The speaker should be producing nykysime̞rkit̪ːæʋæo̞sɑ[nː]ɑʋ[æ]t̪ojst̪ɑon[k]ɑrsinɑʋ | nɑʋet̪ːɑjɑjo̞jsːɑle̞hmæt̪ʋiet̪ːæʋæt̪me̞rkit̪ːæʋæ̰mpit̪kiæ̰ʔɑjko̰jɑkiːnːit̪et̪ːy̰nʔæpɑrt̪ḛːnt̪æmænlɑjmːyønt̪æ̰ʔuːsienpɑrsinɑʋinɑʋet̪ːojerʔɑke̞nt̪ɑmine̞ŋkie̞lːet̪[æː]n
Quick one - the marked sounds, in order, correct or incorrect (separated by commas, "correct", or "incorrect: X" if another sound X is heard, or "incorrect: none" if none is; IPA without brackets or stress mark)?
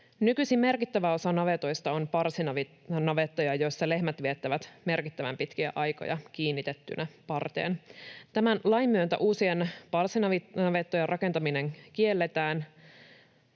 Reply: incorrect: n, incorrect: e, incorrect: p, correct